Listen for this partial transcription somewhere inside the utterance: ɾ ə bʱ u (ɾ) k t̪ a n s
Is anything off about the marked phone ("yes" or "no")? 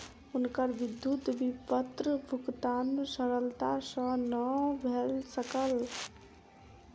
yes